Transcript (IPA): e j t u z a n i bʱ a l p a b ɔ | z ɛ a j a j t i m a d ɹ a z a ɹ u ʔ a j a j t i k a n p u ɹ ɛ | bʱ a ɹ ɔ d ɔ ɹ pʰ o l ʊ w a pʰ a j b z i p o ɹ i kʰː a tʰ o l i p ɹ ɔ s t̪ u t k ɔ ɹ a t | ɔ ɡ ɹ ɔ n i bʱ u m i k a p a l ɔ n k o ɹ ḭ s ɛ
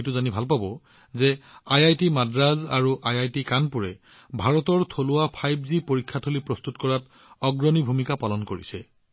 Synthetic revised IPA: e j t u z a n i bʱ a l p a b ɔ | z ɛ a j a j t i m a d ɹ a z a ɹ u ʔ a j a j t i k a n p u ɹ ɛ | bʱ a ɹ ɔ t ɔ ɹ tʰ o l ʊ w a pʰ a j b z i p o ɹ i kʰː a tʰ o l i p ɹ ɔ s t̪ u t k ɔ ɹ a t | ɔ ɡ ɹ ɔ n i bʱ u m i k a p a l ɔ n k o ɹ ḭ s ɛ